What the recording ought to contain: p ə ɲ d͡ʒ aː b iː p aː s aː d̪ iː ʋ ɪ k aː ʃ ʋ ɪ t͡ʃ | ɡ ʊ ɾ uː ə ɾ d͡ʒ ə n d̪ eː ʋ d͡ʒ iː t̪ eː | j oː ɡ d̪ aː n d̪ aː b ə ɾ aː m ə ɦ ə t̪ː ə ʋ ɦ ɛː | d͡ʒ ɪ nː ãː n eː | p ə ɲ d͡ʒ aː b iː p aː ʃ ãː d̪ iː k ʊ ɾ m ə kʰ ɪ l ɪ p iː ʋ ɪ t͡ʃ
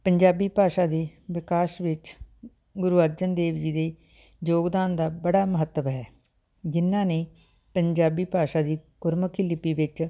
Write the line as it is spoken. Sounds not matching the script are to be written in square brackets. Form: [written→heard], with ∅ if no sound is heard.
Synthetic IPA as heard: p ə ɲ d͡ʒ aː b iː p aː [s→ʃ] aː d̪ iː ʋ ɪ k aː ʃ ʋ ɪ t͡ʃ | ɡ ʊ ɾ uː ə ɾ d͡ʒ ə n d̪ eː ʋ d͡ʒ iː [t̪→d̪] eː | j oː ɡ d̪ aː n d̪ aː b ə [ɾ→ɽ] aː m ə ɦ ə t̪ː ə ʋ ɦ ɛː | d͡ʒ ɪ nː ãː n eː | p ə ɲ d͡ʒ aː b iː p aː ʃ [ãː→aː] d̪ iː k ʊ ɾ m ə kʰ ɪ l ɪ p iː ʋ ɪ t͡ʃ